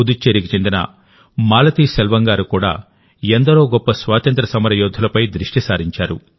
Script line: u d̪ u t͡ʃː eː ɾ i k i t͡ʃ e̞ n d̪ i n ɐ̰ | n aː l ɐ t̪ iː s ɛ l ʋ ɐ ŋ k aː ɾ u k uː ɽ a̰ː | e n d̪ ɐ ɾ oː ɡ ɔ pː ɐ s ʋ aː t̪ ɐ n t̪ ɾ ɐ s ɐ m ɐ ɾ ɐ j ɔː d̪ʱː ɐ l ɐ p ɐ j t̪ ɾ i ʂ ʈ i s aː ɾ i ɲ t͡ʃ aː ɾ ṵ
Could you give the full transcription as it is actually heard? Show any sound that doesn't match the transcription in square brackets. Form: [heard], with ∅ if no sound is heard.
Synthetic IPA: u d̪ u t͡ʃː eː ɾ i k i t͡ʃ e̞ n d̪ i n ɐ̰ | [m] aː l ɐ t̪ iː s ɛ l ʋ ɐ ŋ [ɡ] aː ɾ u k uː ɽ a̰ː | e n d̪ ɐ ɾ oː ɡ ɔ pː ɐ s ʋ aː t̪ ɐ n t̪ ɾ ɐ s ɐ m ɐ ɾ ɐ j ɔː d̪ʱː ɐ l ɐ p ɐ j [d̪] ɾ i ʂ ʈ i s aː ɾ i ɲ t͡ʃ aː ɾ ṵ

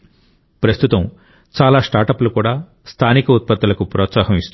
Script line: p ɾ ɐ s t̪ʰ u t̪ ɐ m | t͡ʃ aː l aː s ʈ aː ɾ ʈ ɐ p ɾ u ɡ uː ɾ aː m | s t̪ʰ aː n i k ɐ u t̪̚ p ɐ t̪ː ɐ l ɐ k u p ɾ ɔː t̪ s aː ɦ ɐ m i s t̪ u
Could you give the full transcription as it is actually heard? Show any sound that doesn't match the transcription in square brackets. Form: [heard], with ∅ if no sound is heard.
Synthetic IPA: p ɾ ɐ s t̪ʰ u t̪ ɐ m | t͡ʃ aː l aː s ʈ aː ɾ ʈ ɐ p [l] u [k] uː [ɽ] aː [∅] | s t̪ʰ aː n i k ɐ u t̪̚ p ɐ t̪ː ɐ l ɐ k u p ɾ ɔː t̪ s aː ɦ ɐ m i s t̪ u

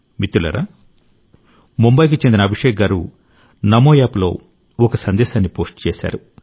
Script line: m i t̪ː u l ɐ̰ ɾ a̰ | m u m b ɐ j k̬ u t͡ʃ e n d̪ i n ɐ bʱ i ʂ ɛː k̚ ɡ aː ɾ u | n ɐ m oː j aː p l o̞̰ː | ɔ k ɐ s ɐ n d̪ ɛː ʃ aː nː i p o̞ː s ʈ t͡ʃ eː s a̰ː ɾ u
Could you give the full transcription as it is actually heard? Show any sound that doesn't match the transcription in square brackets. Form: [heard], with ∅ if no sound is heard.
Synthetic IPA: m i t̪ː u l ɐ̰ ɾ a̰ | m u m b ɐ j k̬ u t͡ʃ e n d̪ i n ɐ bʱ i ʂ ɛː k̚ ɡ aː ɾ u | n ɐ m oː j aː p l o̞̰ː | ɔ k ɐ s ɐ n d̪ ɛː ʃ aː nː i p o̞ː s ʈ t͡ʃ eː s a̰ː ɾ u

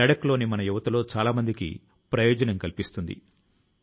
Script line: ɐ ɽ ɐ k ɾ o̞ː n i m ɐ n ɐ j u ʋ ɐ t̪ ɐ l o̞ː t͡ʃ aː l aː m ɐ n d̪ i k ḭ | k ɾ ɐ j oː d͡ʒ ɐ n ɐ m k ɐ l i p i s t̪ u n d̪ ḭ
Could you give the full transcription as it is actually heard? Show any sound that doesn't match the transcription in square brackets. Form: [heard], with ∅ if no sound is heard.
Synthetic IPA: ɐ ɽ ɐ k [l] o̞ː n i m ɐ n ɐ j u ʋ ɐ t̪ ɐ l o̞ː t͡ʃ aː l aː m ɐ n d̪ i k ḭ | [p] ɾ ɐ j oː d͡ʒ ɐ n ɐ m k ɐ l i p i s t̪ u n d̪ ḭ

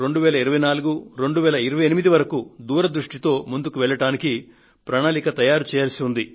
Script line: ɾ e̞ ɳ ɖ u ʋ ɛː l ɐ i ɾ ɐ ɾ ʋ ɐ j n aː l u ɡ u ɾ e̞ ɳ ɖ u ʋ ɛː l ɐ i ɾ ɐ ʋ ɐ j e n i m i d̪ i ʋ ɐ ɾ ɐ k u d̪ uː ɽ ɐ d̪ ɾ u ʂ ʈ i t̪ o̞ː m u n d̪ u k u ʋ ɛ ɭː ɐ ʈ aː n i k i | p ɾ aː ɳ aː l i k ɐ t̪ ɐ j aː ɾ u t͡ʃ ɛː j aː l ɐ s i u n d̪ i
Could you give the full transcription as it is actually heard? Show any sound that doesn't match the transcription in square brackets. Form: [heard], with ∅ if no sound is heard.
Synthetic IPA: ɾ e̞ ɳ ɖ u ʋ ɛː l ɐ i ɾ ɐ [∅] ʋ ɐ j n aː l u ɡ u ɾ e̞ ɳ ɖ u ʋ ɛː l ɐ i ɾ ɐ ʋ ɐ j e n i m i d̪ i ʋ ɐ ɾ ɐ k u d̪ uː [ɾ] ɐ d̪ ɾ u ʂ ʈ i t̪ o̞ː m u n d̪ u k u ʋ ɛ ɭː ɐ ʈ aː n i k i | p ɾ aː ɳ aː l i k ɐ t̪ ɐ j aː ɾ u t͡ʃ ɛː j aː l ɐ s i u n d̪ i

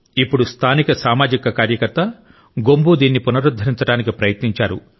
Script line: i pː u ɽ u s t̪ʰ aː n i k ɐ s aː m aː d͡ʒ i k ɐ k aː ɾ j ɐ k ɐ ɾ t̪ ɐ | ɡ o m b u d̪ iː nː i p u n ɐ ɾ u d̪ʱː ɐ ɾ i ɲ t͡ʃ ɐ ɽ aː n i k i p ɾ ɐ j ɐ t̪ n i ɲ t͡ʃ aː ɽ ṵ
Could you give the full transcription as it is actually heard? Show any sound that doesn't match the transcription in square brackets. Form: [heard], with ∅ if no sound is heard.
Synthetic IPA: i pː u ɽ u s t̪ʰ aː n i k ɐ s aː m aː d͡ʒ i k ɐ k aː ɾ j ɐ k ɐ ɾ t̪ ɐ | ɡ o m b u d̪ iː nː i p u n ɐ ɾ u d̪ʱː ɐ ɾ i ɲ t͡ʃ ɐ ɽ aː n i k i p ɾ ɐ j ɐ t̪ n i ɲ t͡ʃ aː [ɾ] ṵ

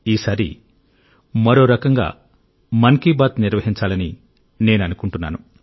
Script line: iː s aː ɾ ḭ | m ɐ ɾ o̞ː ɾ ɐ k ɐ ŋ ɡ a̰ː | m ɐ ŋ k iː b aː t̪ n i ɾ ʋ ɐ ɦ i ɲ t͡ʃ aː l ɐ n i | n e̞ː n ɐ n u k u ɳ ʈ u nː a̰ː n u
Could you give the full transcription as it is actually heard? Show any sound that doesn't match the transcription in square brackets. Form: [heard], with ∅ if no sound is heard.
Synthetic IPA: iː s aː ɾ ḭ | m ɐ ɾ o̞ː ɾ ɐ k ɐ ŋ ɡ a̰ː | m ɐ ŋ k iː b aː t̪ n i ɾ ʋ ɐ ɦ i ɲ t͡ʃ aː l ɐ n i | n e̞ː n ɐ n u k u ɳ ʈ u nː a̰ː n u

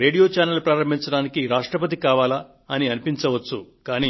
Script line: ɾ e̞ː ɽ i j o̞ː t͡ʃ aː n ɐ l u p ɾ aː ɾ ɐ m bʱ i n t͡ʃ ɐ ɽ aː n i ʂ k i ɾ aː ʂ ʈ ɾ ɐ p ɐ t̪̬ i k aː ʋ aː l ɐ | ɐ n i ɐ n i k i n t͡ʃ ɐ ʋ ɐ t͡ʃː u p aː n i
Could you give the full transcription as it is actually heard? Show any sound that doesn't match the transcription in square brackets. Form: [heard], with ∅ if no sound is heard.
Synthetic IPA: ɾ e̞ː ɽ i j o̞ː t͡ʃ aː n ɐ l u p ɾ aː ɾ ɐ m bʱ i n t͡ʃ ɐ ɽ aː n i [∅] k i ɾ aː ʂ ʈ ɾ ɐ p ɐ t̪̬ i k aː ʋ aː l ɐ | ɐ n i ɐ n i [p] i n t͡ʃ ɐ ʋ ɐ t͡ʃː u [k] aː n i

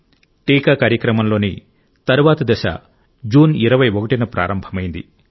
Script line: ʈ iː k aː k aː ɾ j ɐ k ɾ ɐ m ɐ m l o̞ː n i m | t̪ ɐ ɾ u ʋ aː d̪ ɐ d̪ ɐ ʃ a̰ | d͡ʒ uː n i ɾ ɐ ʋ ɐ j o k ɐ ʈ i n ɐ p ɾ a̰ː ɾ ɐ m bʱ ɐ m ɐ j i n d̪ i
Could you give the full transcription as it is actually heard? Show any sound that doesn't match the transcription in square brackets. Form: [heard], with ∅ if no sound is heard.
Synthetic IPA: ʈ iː k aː k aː ɾ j ɐ k ɾ ɐ m ɐ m l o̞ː n i [∅] | t̪ ɐ ɾ u ʋ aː [t̪] ɐ d̪ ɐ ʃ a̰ | d͡ʒ uː n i ɾ ɐ ʋ ɐ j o k ɐ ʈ i n ɐ p ɾ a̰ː ɾ ɐ m bʱ ɐ m ɐ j i n d̪ i

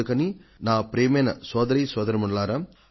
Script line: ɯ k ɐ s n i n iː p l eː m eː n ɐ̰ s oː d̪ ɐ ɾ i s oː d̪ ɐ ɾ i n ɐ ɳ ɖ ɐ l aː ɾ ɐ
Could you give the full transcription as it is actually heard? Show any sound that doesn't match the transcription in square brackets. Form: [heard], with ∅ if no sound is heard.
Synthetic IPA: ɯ k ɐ [∅] n i n [aː] p [ɾ] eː m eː n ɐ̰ s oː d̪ ɐ ɾ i s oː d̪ ɐ ɾ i [m] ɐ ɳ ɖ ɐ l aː ɾ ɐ

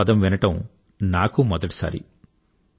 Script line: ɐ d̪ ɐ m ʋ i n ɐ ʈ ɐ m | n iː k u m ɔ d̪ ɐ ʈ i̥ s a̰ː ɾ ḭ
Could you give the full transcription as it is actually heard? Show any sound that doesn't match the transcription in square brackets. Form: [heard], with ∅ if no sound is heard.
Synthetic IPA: ɐ d̪ ɐ m ʋ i n ɐ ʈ ɐ m | n [aː] k u m ɔ d̪ ɐ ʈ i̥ s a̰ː ɾ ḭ

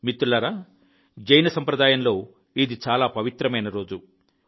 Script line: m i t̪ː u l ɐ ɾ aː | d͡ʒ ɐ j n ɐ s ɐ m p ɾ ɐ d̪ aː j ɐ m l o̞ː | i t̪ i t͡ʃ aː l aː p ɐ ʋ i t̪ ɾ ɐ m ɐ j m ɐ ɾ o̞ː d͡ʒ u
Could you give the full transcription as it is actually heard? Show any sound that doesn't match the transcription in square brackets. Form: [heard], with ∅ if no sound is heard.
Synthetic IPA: m i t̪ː u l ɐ ɾ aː | d͡ʒ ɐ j n ɐ s ɐ m p ɾ ɐ d̪ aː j ɐ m l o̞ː | i [d̪] i t͡ʃ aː l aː p ɐ ʋ i t̪ ɾ ɐ m ɐ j [n] ɐ ɾ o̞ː d͡ʒ u

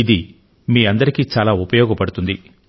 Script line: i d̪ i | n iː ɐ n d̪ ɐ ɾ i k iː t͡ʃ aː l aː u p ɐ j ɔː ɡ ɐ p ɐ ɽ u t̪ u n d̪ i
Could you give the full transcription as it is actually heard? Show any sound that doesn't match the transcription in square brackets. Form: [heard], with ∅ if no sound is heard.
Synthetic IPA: i d̪ i | [m] iː ɐ n d̪ ɐ ɾ i k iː t͡ʃ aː l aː u p ɐ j ɔː ɡ ɐ p ɐ ɽ u t̪ u n d̪ i

